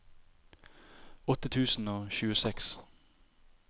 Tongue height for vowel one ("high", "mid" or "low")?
mid